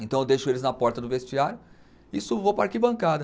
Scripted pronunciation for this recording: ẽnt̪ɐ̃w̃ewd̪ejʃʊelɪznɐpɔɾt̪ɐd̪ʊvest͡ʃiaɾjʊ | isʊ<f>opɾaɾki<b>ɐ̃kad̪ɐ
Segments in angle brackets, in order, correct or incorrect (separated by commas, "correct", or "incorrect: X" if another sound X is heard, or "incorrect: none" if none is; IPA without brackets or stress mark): incorrect: v, correct